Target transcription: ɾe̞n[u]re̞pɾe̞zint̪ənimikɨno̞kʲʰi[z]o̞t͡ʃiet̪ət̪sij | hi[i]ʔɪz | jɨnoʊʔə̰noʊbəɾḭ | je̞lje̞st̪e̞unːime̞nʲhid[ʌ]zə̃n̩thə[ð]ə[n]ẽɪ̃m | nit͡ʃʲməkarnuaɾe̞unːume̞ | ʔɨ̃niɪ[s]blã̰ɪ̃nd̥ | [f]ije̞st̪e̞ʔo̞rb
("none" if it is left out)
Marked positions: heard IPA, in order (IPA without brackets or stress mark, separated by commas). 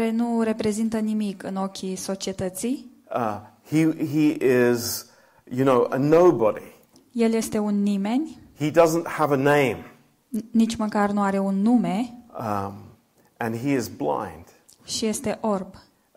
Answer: u, s, i, ʌ, v, n, z, ʃ